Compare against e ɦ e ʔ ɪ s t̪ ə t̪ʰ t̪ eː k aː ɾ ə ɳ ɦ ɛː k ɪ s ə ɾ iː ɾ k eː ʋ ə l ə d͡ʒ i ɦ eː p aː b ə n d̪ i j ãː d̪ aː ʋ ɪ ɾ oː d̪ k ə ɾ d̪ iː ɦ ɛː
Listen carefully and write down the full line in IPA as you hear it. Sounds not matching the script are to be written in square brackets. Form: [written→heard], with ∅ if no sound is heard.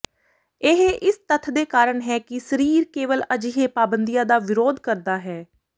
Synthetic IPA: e ɦ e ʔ ɪ s t̪ ə t̪ʰ [t̪→d̪] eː k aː ɾ ə ɳ ɦ ɛː k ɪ s ə ɾ iː ɾ k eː ʋ ə l ə d͡ʒ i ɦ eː p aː b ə n d̪ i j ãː d̪ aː ʋ ɪ ɾ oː d̪ k ə ɾ d̪ [iː→aː] ɦ ɛː